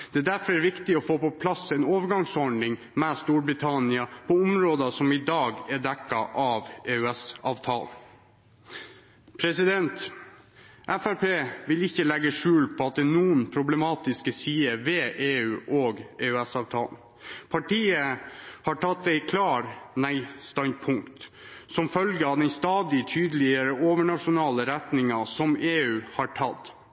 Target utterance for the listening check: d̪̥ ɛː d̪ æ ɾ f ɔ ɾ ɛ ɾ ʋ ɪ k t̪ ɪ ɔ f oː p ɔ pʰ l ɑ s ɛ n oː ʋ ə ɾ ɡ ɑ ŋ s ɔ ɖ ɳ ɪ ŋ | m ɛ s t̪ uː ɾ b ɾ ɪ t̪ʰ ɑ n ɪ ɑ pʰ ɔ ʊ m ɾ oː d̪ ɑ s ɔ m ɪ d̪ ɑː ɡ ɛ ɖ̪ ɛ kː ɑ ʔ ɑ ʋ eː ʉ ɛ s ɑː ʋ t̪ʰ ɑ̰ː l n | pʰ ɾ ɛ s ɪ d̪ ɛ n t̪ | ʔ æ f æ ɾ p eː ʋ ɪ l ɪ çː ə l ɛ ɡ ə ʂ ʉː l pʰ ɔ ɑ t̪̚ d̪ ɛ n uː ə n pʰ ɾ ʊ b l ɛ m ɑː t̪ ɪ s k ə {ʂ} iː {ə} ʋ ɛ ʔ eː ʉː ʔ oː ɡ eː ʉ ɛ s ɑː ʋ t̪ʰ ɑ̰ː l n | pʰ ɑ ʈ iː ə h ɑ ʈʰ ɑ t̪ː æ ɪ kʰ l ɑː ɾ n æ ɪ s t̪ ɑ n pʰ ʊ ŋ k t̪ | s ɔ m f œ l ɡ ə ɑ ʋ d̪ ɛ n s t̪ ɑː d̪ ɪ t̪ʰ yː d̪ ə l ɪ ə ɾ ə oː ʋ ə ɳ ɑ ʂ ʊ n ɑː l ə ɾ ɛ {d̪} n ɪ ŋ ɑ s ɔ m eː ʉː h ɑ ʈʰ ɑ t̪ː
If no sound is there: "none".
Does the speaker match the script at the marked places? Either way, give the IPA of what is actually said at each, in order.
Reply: s, ə, t̪

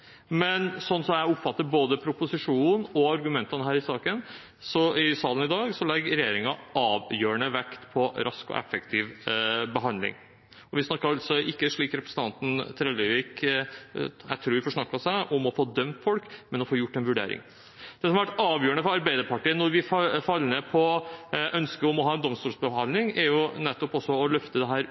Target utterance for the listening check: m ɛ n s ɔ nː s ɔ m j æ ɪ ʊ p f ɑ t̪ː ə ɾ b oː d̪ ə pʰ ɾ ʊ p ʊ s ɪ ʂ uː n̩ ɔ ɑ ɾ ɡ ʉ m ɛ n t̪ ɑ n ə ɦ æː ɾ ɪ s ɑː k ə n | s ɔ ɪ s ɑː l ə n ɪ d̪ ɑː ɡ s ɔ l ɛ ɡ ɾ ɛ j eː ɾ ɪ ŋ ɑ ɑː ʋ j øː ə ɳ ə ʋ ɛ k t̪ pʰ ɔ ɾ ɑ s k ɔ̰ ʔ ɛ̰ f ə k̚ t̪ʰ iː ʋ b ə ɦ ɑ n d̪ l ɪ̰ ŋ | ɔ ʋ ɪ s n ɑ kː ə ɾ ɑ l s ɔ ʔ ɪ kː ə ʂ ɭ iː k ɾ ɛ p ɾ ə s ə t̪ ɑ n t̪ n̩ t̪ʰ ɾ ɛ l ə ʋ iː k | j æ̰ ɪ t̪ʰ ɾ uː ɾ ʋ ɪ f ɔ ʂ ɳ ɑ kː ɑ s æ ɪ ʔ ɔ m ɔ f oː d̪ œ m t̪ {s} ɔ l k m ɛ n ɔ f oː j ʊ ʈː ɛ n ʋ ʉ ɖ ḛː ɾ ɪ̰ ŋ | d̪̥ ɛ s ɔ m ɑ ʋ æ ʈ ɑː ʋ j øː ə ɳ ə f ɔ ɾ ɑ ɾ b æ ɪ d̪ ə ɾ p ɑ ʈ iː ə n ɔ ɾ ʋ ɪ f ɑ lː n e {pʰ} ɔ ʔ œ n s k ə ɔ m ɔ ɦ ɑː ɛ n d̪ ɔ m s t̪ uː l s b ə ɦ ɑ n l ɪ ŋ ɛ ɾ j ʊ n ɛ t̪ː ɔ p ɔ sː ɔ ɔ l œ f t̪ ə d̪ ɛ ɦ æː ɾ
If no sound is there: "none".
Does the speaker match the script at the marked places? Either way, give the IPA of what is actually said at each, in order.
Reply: f, pʰ

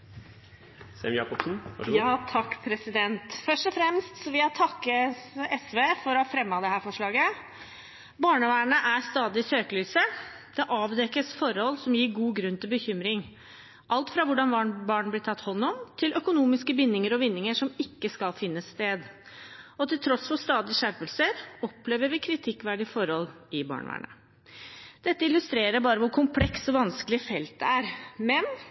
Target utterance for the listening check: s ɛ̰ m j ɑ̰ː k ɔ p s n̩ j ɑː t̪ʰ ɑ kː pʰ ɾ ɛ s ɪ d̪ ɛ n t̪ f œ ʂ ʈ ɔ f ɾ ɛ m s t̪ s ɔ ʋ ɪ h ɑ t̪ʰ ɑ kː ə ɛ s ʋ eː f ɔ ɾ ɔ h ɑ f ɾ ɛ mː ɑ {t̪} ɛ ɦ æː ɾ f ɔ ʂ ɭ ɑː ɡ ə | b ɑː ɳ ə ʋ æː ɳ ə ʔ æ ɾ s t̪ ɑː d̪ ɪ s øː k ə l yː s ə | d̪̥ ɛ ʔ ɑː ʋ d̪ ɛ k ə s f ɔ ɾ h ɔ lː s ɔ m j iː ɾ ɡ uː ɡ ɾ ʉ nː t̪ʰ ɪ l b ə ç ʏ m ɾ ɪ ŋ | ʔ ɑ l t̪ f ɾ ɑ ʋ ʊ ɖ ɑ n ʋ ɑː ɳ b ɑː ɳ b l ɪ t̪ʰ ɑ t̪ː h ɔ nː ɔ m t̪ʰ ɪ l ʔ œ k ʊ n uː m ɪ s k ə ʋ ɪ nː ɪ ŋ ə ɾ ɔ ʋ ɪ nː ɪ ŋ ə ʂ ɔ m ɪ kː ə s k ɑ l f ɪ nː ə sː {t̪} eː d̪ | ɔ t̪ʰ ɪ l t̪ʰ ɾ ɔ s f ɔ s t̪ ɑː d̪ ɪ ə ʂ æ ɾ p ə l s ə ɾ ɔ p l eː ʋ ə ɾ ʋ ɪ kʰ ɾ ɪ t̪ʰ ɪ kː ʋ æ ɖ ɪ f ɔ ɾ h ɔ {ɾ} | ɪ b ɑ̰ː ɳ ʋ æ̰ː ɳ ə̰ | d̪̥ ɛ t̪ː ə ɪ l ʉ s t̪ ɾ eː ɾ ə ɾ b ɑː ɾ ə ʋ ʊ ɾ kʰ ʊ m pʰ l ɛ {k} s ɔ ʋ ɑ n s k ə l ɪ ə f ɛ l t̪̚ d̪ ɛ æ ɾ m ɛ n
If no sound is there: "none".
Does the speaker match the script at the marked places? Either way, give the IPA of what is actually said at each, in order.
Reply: d̪, t̪, l, k

